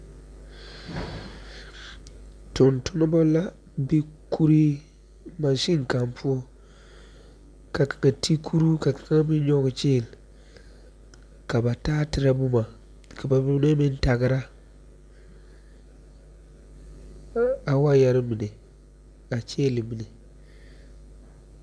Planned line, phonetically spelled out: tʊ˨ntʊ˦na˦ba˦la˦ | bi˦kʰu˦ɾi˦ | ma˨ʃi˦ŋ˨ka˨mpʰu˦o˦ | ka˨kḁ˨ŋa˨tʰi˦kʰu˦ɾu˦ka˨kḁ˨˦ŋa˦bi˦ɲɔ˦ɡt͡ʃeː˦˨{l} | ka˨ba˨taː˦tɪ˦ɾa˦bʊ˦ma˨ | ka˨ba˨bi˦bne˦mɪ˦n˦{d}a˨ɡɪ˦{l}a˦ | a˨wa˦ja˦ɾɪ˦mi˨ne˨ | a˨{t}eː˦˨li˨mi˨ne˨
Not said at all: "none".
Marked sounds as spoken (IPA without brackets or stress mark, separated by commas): l, t, ɾ, t͡ʃ